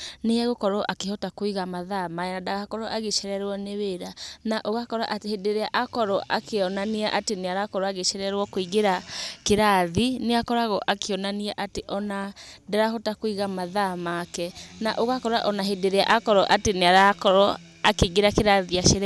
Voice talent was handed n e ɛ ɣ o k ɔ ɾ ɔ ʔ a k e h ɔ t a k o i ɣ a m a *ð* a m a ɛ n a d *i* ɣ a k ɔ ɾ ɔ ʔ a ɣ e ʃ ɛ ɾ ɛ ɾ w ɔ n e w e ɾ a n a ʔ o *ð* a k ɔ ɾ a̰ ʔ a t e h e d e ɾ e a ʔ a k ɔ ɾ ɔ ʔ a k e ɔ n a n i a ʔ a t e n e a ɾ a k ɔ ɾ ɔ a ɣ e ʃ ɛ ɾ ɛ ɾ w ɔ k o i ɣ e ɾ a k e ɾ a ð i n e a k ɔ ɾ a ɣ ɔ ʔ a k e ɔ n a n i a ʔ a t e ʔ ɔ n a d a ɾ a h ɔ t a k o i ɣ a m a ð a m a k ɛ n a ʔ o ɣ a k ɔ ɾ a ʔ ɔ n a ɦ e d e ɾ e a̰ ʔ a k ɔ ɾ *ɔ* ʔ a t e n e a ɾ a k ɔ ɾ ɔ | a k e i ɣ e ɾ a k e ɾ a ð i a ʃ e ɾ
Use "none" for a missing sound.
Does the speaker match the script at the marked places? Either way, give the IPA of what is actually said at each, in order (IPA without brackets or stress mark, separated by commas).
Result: ð, a, ɣ, ɔ